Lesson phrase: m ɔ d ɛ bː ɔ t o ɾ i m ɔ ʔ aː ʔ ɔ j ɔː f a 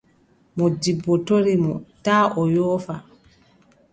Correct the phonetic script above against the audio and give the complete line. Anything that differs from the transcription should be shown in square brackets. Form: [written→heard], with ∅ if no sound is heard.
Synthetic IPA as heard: m ɔ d [ɛ→i] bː ɔ t o ɾ i m ɔ [ʔ→t] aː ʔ ɔ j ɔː f a